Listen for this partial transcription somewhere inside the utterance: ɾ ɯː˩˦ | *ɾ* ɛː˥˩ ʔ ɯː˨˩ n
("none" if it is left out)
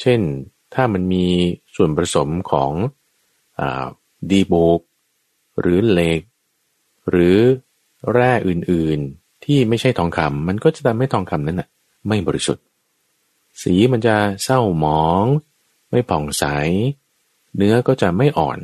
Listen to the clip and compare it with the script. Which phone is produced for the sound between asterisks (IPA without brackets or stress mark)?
ɾ